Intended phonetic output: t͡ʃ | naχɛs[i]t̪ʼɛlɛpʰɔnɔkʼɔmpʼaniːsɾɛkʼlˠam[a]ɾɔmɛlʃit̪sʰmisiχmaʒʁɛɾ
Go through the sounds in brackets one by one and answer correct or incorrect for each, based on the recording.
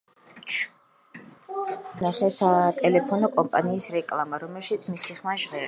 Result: incorrect: a, correct

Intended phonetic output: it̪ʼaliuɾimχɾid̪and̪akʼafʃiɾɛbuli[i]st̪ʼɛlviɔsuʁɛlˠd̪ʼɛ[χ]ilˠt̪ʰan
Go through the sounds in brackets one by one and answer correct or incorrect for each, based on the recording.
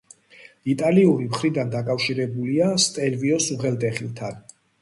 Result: incorrect: a, correct

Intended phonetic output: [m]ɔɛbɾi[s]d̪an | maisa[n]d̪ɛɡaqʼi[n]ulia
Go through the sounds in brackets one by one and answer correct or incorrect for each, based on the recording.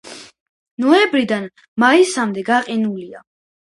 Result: incorrect: n, incorrect: none, incorrect: m, correct

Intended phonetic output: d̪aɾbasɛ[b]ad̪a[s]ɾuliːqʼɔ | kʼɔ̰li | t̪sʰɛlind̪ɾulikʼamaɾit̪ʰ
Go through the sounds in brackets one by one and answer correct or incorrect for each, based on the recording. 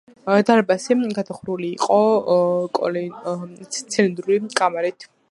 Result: incorrect: ɡ, incorrect: χ

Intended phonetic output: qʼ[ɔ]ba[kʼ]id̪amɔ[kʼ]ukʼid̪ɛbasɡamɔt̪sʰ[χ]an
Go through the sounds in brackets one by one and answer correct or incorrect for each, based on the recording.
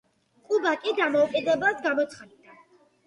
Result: incorrect: u, correct, incorrect: none, correct

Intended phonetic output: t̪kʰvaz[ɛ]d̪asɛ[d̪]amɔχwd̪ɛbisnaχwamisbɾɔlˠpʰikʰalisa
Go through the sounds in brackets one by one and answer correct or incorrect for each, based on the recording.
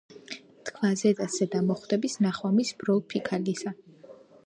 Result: correct, correct

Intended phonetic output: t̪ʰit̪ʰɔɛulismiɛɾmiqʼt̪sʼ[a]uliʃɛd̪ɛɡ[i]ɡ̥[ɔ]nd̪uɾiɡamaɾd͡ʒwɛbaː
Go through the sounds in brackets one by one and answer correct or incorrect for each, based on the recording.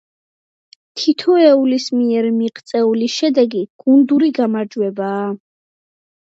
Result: incorrect: ɛ, correct, incorrect: u

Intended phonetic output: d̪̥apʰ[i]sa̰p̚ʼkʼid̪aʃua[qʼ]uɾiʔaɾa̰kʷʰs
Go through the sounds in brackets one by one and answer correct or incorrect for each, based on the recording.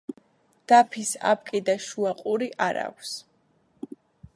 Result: correct, correct

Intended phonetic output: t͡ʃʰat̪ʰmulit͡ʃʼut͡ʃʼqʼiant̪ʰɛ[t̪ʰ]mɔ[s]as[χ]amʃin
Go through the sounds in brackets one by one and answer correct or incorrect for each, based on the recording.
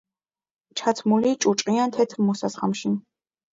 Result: correct, correct, correct

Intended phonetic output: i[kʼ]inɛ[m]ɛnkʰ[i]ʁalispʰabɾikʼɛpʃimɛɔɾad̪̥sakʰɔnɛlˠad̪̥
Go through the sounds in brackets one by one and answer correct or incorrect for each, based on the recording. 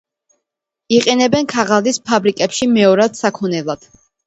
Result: incorrect: qʼ, incorrect: b, incorrect: a

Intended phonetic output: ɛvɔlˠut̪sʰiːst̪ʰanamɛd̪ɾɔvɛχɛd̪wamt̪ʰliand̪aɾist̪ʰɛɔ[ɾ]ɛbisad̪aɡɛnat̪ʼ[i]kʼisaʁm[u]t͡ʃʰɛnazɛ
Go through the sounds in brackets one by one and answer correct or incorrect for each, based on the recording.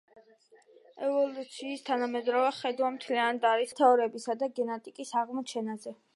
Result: correct, correct, incorrect: ɔ

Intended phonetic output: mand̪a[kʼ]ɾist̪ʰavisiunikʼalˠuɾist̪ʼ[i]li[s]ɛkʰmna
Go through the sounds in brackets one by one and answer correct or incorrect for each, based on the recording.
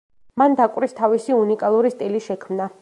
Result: correct, correct, incorrect: ʃ

